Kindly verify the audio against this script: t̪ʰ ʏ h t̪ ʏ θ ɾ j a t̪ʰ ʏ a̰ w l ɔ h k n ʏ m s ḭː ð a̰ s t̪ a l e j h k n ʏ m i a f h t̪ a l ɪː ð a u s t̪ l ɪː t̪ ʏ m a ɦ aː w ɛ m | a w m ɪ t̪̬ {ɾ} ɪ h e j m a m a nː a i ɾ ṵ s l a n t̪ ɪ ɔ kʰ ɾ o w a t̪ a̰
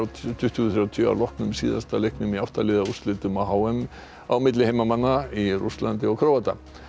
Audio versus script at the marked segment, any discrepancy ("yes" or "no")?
yes